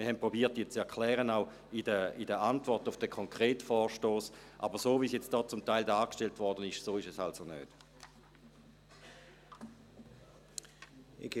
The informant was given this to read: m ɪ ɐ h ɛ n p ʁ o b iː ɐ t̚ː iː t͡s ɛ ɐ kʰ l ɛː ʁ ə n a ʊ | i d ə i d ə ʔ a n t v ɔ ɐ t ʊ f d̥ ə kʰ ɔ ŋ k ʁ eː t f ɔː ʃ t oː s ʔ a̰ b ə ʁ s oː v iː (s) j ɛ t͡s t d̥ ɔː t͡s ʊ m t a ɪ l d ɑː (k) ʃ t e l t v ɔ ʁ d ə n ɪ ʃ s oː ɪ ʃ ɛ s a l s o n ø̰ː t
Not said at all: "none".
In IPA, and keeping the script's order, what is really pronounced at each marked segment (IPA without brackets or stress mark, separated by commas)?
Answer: s, k